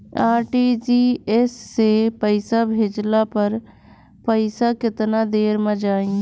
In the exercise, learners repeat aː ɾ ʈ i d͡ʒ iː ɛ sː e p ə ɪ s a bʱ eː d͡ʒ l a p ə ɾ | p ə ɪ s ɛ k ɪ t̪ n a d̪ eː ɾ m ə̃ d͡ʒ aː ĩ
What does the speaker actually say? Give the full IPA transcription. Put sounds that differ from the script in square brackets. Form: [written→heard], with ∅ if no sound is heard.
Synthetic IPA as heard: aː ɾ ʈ i d͡ʒ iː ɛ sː e p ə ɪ s a bʱ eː d͡ʒ l a p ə ɾ | p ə ɪ s [ɛ→a] k ɪ t̪ n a d̪ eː ɾ m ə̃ d͡ʒ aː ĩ

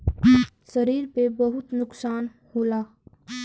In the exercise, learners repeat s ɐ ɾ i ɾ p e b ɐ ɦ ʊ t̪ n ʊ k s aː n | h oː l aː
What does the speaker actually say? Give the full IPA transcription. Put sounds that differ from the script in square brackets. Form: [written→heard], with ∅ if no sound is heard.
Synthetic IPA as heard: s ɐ ɾ [i→iː] ɾ p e b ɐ ɦ ʊ t̪ n ʊ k s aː n | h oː l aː

